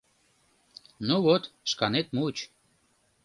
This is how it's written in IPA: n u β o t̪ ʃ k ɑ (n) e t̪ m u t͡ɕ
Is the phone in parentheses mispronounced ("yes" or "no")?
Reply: no